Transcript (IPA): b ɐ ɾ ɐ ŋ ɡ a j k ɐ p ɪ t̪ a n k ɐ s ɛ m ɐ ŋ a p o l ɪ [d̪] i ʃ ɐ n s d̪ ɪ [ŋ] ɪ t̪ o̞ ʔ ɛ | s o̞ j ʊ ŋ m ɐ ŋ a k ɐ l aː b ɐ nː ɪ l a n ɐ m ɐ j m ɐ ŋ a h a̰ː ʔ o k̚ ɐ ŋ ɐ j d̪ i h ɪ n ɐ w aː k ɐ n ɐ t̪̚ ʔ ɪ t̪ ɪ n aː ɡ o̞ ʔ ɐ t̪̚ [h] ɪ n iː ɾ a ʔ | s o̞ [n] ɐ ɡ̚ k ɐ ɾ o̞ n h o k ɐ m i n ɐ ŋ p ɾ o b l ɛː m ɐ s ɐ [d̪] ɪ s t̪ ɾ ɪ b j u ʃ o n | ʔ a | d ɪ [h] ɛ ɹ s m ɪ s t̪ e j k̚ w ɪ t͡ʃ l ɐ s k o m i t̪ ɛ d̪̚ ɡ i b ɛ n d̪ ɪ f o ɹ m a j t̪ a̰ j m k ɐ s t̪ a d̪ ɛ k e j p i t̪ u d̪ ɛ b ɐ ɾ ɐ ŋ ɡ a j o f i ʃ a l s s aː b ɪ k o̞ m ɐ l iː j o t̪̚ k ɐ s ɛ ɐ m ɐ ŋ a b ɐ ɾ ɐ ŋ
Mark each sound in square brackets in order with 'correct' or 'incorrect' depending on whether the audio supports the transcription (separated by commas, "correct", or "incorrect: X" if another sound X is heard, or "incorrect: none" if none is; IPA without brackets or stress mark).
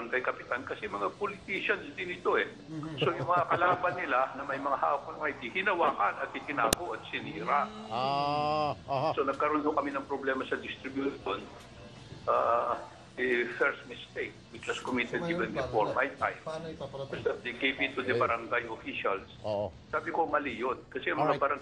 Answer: incorrect: t̪, incorrect: n, incorrect: s, correct, correct, incorrect: f